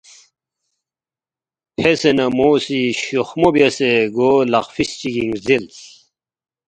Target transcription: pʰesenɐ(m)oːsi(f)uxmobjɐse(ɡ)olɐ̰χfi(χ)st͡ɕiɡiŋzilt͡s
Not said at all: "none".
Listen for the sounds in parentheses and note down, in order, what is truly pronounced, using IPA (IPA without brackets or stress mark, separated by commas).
m, ɕ, ɡ, none